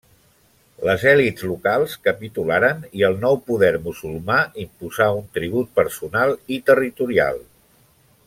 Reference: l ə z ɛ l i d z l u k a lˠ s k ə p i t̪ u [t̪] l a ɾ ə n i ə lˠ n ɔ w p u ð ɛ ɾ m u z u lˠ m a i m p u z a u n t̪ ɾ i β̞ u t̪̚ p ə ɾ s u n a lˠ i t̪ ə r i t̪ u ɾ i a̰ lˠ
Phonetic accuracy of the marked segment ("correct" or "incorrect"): incorrect